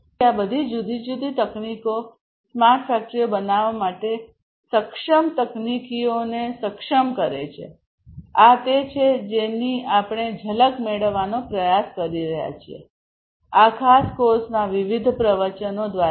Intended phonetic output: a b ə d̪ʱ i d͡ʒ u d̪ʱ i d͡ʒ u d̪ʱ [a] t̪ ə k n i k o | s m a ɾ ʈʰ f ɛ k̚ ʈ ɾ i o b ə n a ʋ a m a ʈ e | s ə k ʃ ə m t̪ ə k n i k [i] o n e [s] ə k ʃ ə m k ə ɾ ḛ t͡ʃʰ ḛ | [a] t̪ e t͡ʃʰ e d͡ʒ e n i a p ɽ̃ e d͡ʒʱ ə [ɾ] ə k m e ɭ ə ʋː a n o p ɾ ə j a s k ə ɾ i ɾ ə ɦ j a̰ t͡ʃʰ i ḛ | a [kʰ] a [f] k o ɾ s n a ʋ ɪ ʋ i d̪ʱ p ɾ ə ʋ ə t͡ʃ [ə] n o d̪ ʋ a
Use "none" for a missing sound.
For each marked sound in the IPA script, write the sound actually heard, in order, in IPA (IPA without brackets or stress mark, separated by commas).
i, i, s, a, l, kʰ, s, ə